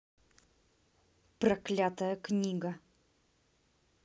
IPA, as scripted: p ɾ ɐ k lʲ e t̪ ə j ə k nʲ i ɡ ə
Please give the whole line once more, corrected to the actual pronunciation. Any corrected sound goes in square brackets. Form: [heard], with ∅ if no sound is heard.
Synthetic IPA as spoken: p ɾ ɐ k lʲ [a] t̪ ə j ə k nʲ i ɡ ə